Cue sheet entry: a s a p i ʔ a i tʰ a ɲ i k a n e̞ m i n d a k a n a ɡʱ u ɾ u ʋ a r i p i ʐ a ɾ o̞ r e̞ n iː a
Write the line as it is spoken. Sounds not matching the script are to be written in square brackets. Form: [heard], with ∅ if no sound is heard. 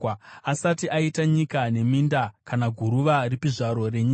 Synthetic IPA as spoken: a s a [t] i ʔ a i [t] a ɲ i k a n e̞ m i n d a k a n a ɡʱ u ɾ u ʋ a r i p i ʐ a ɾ o̞ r e̞ [ɲ] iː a